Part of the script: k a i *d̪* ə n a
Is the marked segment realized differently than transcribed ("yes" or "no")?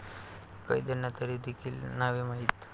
no